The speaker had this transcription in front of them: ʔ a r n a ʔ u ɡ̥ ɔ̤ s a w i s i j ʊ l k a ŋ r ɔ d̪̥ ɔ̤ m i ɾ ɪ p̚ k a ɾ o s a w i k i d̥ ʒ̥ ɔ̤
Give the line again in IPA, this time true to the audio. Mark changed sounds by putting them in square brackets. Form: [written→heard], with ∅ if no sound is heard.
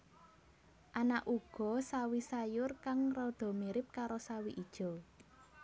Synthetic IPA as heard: ʔ a [r→∅] n a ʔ u ɡ̥ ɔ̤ s a w i s [i→a] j ʊ [l→r] k a ŋ r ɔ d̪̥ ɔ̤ m i ɾ ɪ p̚ k a ɾ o s a w i [k→ʔ] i d̥ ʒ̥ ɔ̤